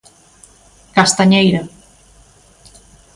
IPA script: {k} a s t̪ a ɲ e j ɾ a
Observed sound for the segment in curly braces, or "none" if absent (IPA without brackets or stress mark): k